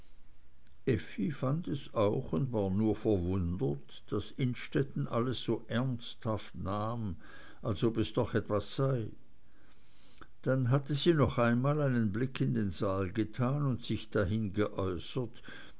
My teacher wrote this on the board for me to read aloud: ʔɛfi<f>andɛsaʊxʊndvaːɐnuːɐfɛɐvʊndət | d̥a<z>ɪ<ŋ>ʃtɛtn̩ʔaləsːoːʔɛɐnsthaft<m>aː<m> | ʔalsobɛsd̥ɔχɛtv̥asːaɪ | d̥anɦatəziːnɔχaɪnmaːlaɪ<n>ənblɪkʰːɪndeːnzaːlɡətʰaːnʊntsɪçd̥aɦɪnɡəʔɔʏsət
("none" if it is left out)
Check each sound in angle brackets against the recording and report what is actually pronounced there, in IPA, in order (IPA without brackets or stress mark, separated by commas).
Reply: f, s, n, n, m, n